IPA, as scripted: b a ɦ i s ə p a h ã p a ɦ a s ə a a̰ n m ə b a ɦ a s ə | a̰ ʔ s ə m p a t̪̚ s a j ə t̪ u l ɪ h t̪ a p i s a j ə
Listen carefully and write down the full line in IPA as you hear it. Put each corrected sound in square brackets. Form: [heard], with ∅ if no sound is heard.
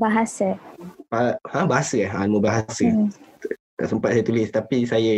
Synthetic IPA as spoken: b a ɦ [a] s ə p a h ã [b] a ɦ a s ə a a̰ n m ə b a ɦ a s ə | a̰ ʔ s ə m p a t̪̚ s a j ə t̪ u l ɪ [s] t̪ a p i s a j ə